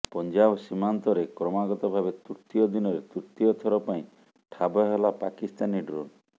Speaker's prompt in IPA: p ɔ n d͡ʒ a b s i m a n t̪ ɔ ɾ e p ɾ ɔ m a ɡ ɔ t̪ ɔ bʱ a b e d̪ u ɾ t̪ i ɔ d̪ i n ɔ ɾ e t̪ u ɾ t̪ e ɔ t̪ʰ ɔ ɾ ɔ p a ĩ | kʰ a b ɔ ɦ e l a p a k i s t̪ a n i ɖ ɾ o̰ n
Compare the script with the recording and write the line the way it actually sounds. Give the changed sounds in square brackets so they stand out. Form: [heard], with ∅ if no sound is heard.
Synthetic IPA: p ɔ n d͡ʒ a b s i m a n t̪ ɔ ɾ e [k] ɾ ɔ m a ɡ ɔ t̪ ɔ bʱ a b e [t̪] u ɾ t̪ i ɔ d̪ i n ɔ ɾ e t̪ u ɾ t̪ [i] ɔ t̪ʰ ɔ ɾ ɔ p a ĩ | [ʈʰ] a b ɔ ɦ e l a p a k i s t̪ a n i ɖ ɾ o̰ n